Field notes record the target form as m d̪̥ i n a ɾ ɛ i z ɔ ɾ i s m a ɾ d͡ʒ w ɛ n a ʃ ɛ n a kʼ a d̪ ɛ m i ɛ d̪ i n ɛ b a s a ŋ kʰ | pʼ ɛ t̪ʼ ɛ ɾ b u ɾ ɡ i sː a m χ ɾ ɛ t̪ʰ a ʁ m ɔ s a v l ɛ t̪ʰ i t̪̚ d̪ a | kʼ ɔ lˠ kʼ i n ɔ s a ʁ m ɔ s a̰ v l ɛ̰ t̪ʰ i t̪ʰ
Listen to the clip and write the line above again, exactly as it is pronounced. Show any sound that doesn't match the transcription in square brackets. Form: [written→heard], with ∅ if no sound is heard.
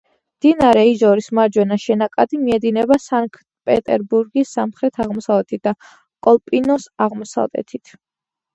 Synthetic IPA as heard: m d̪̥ i n a ɾ ɛ i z ɔ ɾ i s m a ɾ d͡ʒ w ɛ n a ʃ ɛ n a kʼ a d̪ [ɛ→i] m i ɛ d̪ i n ɛ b a s a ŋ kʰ | pʼ ɛ t̪ʼ ɛ ɾ b u ɾ ɡ i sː a m χ ɾ ɛ t̪ʰ a ʁ m ɔ s a v l ɛ t̪ʰ i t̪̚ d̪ a | kʼ ɔ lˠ [kʼ→pʼ] i n ɔ s a ʁ m ɔ s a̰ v l ɛ̰ t̪ʰ i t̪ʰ